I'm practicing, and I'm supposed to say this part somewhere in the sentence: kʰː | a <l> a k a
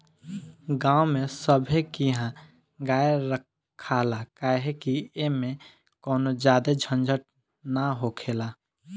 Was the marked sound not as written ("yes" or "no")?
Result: no